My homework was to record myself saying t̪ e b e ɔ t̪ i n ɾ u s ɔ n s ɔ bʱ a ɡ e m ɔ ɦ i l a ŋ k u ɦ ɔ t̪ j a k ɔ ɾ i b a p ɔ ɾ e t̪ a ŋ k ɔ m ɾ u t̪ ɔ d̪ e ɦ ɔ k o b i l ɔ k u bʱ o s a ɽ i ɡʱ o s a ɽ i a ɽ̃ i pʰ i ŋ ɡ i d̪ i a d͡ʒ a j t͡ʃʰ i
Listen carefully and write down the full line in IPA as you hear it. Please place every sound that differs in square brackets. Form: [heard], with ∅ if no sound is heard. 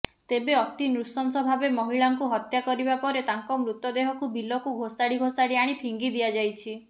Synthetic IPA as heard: t̪ e b e ɔ t̪ i n ɾ u s ɔ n s ɔ bʱ a [b] e m ɔ ɦ i [ɭ] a ŋ k u ɦ ɔ t̪ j a k ɔ ɾ i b a p ɔ ɾ e t̪ a ŋ k ɔ m ɾ u t̪ ɔ d̪ e ɦ ɔ k [u] b i l ɔ k u [ɡʱ] o s a ɽ i ɡʱ o s a ɽ i a ɽ̃ i pʰ i ŋ ɡ i d̪ i a d͡ʒ a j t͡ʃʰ i